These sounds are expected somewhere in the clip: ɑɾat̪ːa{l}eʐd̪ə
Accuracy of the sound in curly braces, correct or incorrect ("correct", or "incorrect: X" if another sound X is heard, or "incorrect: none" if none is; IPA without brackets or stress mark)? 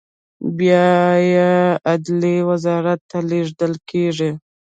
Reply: correct